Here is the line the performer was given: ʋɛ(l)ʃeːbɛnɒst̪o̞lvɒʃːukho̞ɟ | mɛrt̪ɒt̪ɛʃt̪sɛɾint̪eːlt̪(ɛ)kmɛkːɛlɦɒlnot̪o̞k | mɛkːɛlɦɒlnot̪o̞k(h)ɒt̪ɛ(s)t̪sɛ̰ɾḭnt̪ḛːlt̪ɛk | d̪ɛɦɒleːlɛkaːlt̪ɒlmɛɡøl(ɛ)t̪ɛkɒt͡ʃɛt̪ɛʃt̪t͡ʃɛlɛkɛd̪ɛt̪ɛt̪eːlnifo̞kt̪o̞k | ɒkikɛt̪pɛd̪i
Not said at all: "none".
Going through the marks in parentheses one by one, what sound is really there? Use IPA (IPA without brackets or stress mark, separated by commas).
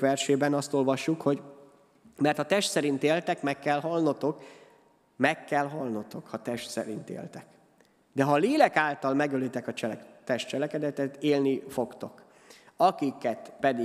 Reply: r, ɛ, h, ʃ, i